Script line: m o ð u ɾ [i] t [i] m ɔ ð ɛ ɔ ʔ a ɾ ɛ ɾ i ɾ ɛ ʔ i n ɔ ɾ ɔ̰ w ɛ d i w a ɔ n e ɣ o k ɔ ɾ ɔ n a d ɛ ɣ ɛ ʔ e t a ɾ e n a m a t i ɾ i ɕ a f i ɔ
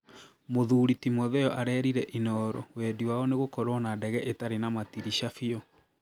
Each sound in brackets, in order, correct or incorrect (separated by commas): correct, correct